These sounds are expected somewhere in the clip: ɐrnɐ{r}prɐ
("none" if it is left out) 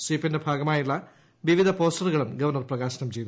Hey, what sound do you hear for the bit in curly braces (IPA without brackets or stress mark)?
r